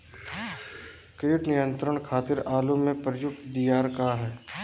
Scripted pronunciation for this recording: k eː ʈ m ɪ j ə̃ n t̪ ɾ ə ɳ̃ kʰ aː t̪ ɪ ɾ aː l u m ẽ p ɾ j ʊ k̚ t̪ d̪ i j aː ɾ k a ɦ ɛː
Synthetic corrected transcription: k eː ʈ n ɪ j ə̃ n t̪ ɾ ə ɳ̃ kʰ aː t̪ ɪ ɾ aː l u m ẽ p ɾ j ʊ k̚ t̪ d̪ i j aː ɾ k a ɦ ɛː